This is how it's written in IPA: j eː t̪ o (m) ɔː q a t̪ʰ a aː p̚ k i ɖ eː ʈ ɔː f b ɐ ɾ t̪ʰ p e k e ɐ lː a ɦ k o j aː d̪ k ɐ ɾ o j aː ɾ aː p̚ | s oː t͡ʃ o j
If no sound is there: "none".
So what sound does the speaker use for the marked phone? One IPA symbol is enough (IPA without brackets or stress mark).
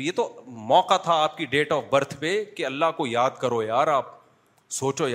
m